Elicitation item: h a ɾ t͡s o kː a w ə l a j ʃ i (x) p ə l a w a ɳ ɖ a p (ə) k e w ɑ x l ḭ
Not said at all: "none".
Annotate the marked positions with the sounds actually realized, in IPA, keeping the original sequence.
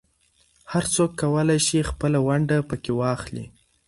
x, ə

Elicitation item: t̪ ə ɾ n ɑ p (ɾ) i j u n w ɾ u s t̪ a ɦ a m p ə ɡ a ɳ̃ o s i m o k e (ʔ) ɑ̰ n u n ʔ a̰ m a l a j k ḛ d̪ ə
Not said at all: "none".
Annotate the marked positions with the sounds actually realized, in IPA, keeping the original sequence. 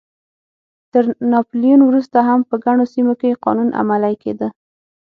l, q

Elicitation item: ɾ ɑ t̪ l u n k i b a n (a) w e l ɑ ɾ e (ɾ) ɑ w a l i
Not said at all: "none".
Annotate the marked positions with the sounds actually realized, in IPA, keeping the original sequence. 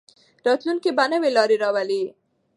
ə, ɾ

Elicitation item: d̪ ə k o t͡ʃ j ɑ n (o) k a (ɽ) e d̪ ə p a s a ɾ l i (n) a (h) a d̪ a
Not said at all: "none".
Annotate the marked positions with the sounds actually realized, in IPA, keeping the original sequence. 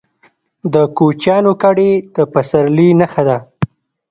o, ɽ, n, x

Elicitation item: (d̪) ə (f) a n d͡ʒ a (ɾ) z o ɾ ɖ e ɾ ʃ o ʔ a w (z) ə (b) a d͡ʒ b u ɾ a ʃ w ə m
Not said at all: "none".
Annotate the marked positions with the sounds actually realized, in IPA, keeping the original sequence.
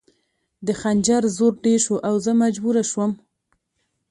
d̪, x, ɾ, z, m

